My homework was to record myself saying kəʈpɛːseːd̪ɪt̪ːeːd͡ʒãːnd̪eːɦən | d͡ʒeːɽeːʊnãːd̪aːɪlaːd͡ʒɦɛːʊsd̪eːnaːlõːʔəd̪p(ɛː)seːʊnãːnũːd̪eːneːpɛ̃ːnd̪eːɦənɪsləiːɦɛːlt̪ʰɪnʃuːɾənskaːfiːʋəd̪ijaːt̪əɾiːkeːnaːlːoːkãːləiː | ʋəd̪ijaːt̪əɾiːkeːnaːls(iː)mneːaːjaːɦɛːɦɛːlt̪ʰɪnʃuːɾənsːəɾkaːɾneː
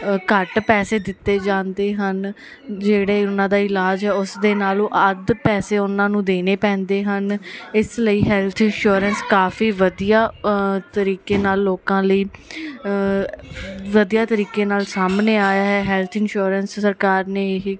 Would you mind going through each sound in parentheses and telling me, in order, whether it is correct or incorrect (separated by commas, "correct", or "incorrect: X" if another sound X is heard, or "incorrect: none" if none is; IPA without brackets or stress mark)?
correct, incorrect: aː